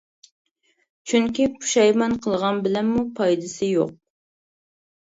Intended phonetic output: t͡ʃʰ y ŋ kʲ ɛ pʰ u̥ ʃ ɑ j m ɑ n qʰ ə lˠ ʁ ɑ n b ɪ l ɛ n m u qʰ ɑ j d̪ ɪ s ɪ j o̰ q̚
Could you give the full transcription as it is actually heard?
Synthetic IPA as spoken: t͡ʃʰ y ŋ kʲ i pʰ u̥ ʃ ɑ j m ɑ n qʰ ə lˠ ʁ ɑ n b ɪ l ɛ n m u pʰ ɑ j d̪ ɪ s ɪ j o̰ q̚